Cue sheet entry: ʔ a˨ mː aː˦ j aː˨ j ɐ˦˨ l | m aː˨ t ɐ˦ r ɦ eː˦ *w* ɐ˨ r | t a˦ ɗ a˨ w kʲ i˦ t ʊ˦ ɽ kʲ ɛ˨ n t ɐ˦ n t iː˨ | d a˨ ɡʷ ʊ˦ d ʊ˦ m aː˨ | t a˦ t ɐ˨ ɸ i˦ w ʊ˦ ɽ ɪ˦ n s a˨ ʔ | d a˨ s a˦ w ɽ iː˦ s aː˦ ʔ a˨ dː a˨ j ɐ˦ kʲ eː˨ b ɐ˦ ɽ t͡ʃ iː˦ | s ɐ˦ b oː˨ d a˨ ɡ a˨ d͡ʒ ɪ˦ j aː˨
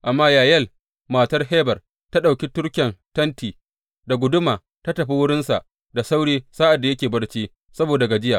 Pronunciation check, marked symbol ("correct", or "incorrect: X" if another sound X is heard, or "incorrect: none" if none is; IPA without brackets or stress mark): incorrect: b